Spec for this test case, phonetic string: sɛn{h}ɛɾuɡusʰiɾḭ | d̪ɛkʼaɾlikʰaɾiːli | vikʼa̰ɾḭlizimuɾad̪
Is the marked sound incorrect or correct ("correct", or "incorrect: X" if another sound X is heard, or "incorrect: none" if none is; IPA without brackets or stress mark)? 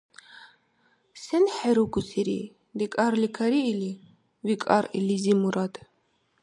incorrect: ħ